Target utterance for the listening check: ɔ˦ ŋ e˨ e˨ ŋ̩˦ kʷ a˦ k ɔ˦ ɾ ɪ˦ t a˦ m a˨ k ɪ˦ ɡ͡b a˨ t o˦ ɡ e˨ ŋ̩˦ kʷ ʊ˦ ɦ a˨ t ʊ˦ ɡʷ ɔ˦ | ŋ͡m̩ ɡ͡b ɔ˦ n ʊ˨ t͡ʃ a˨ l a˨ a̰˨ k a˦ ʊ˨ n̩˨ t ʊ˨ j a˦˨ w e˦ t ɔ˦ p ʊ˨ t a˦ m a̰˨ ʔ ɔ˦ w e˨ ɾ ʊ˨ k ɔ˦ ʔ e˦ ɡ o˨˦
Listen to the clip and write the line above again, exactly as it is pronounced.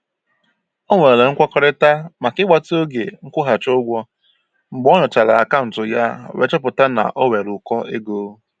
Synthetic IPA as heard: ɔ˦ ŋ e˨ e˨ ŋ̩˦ kʷ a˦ k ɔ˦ ɾ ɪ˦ t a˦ m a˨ k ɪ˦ ɡ͡b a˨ t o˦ ɡ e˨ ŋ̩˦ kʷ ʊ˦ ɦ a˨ t͡ʃ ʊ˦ ɡʷ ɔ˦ | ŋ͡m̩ ɡ͡b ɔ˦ n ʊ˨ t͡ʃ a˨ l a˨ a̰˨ k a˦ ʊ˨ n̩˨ t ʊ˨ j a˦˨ w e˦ t͡ʃ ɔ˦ p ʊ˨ t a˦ n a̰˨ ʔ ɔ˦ w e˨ ɾ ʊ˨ k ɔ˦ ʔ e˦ ɡ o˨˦